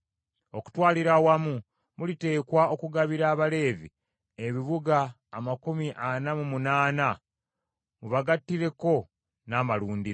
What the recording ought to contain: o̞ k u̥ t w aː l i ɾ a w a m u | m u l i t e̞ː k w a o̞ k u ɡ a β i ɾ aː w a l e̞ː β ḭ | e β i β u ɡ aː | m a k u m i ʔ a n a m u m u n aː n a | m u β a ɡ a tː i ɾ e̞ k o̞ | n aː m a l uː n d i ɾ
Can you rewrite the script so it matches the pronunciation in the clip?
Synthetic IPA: o̞ k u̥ t w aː l i ɾ a w a m u | m u l i t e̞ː k w a o̞ k u ɡ a β i ɾ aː β a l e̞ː v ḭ | e β i β u ɡ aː | m a k u m i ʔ a n a m u m u n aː n a | m u β a ɡ a tː i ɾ e̞ k o̞ | n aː m a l uː n d i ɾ